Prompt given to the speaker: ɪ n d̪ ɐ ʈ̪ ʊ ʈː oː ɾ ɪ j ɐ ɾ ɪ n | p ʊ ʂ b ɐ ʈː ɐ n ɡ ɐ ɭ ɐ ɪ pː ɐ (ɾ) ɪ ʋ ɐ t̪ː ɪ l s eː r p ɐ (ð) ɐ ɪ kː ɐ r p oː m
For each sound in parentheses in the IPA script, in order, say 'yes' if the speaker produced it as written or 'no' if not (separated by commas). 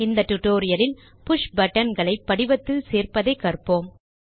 no, yes